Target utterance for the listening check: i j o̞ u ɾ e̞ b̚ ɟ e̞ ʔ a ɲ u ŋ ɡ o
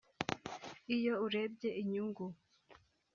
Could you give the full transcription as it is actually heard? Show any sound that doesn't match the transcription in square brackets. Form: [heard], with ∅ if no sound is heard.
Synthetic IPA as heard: i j o̞ u ɾ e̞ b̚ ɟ e̞ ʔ [i] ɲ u ŋ ɡ [u]